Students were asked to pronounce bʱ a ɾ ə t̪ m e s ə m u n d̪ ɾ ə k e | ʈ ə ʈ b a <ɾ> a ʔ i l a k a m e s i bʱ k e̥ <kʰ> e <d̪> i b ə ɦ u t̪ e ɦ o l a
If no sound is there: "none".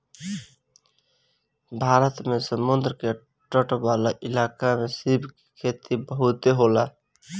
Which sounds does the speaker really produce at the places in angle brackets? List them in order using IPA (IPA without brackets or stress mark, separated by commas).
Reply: l, kʰ, t̪